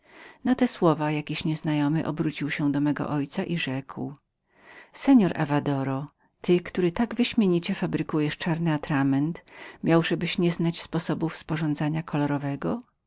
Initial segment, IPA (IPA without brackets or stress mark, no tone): n